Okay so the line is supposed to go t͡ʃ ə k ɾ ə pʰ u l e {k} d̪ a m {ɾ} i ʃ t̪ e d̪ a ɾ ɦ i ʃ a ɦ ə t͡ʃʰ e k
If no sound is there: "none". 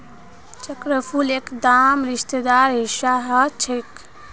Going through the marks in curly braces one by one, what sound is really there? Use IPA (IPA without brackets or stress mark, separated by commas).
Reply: k, ɾ